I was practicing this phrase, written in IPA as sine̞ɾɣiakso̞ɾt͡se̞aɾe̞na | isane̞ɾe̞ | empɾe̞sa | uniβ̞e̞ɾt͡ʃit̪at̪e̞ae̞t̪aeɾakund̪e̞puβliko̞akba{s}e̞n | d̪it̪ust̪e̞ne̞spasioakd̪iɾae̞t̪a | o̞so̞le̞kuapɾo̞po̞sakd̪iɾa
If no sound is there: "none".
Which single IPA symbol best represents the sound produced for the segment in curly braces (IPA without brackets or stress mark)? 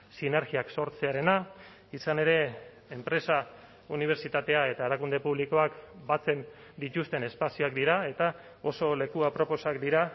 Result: t͡s